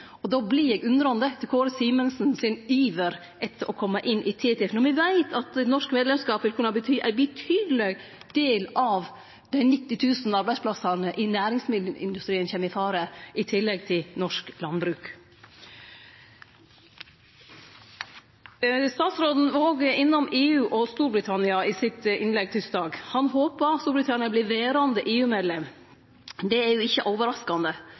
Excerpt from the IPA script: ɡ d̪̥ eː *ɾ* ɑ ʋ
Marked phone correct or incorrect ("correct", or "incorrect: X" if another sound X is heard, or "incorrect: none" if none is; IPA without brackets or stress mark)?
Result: incorrect: l